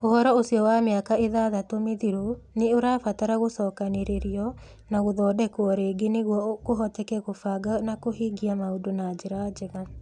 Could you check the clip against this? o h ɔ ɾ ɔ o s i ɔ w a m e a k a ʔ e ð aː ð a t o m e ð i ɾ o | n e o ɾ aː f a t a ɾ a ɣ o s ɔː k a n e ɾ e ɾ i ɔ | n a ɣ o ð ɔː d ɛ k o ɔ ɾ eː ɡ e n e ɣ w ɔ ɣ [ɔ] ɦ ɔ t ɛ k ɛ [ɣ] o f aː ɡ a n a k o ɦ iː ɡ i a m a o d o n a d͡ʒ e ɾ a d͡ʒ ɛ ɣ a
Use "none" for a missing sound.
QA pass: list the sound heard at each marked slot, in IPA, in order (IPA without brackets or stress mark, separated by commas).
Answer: o, ɣ